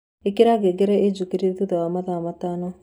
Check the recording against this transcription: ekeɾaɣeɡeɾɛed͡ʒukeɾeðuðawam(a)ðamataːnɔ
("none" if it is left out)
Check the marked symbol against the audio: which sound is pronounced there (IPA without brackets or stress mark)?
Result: a